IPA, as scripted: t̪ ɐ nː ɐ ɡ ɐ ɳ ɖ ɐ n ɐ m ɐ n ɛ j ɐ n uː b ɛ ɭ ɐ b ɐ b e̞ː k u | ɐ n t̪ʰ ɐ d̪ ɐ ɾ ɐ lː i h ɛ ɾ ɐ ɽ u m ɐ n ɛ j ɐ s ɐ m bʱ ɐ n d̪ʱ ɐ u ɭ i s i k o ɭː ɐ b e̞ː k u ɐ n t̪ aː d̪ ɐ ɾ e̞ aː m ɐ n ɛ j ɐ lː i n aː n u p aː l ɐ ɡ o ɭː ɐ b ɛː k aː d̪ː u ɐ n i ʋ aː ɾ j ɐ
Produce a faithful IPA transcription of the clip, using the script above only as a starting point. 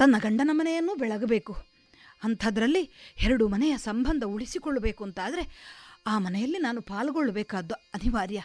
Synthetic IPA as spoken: t̪ ɐ nː ɐ ɡ ɐ ɳ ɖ ɐ n ɐ m ɐ n ɛ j ɐ nː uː b ɛ ɭ ɐ ɡ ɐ b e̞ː k u | ɐ n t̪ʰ ɐ d̪ ɐ ɾ ɐ lː i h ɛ ɾ ɐ ɽ u m ɐ n ɛ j ɐ s ɐ m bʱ ɐ n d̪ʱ ɐ u ɭ i s i k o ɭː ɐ b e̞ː k u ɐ n t̪ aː d̪ ɐ ɾ e̞ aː m ɐ n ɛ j ɐ lː i n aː n u p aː l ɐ ɡ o ɭː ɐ b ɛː k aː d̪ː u ɐ n i ʋ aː ɾ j ɐ